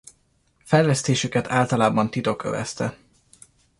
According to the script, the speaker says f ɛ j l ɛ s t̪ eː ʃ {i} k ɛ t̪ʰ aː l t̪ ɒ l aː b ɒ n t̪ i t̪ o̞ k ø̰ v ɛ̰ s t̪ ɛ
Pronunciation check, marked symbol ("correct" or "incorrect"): incorrect